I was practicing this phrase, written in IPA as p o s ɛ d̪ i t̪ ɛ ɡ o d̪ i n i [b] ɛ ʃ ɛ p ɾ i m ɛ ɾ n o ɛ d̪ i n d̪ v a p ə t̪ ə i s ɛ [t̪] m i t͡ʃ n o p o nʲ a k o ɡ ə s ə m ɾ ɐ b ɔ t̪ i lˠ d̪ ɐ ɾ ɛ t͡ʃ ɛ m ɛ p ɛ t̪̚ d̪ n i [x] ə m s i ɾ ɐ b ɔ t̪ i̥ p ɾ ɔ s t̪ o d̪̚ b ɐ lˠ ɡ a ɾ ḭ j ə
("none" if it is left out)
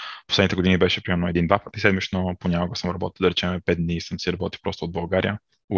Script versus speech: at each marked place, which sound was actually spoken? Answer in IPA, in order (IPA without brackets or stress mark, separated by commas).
b, d̪, s